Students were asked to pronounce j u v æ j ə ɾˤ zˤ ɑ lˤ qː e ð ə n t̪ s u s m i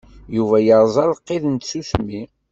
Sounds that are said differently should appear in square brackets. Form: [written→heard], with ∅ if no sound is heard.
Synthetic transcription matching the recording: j u v æ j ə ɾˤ zˤ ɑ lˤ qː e ð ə n t̪ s u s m i